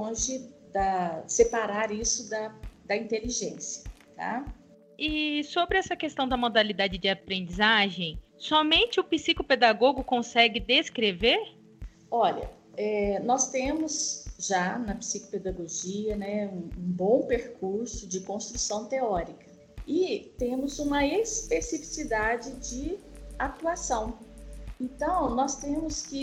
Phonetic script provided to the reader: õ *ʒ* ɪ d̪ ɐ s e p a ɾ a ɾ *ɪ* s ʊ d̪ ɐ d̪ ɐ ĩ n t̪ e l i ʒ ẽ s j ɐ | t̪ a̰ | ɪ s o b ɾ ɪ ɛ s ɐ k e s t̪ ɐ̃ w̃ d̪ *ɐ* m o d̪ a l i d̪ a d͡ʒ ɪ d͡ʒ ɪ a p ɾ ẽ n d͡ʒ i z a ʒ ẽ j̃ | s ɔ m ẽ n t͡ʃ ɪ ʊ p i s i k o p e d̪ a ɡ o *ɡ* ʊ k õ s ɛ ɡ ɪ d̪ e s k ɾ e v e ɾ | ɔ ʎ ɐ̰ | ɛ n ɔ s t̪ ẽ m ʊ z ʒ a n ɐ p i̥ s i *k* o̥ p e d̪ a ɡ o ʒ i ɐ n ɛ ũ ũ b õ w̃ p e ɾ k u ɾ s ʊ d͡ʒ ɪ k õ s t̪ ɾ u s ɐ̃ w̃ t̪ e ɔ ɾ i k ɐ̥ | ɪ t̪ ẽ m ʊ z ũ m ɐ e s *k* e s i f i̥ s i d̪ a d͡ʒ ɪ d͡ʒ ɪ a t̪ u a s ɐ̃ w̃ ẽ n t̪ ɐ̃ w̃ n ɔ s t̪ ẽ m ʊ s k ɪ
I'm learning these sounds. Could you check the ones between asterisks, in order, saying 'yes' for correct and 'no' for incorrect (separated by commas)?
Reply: yes, no, yes, yes, yes, no